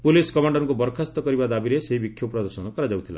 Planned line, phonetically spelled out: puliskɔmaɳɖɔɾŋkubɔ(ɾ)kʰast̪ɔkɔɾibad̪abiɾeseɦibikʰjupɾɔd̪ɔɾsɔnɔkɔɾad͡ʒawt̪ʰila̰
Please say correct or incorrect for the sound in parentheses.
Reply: correct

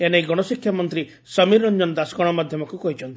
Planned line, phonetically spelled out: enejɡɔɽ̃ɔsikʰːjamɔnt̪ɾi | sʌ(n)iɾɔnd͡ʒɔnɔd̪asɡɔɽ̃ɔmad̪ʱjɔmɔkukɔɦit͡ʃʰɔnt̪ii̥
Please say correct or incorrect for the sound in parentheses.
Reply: incorrect: m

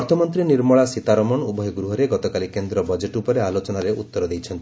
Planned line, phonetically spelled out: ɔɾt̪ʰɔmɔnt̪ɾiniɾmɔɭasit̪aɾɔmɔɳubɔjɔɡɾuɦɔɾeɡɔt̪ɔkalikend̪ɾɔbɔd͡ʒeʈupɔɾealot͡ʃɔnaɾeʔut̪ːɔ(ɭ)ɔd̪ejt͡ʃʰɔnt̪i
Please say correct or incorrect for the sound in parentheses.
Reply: incorrect: ɾ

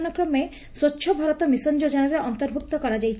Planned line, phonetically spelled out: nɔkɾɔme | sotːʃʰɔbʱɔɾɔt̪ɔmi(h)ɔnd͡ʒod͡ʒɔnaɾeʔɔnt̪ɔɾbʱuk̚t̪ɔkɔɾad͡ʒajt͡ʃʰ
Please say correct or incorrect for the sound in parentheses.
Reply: incorrect: s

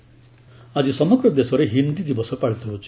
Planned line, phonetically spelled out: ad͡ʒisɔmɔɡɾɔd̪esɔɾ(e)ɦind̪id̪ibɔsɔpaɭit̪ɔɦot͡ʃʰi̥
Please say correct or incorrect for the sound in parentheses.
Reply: correct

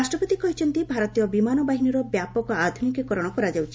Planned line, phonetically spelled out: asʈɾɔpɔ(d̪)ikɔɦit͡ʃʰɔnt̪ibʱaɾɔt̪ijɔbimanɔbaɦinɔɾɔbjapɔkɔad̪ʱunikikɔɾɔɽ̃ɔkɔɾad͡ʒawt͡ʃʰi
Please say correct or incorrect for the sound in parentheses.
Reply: incorrect: t̪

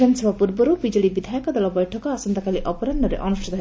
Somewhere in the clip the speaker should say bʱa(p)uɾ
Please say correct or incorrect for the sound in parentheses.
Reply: correct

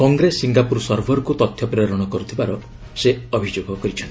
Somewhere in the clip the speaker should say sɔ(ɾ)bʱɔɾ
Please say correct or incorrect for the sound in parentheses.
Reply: correct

